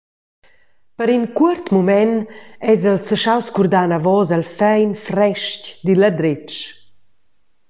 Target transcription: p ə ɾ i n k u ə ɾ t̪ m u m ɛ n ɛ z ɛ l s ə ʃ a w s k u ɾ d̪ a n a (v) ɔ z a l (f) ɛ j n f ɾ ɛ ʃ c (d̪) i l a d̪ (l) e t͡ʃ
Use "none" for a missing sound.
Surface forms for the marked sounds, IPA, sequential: v, f, d̪, ɾ

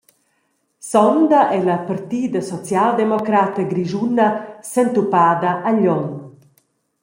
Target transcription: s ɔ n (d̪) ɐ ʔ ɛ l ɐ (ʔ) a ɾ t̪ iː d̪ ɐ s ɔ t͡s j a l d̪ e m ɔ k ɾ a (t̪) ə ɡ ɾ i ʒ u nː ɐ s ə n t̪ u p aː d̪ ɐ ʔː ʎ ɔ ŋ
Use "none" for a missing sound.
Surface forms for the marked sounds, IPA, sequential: d̪, p, t̪

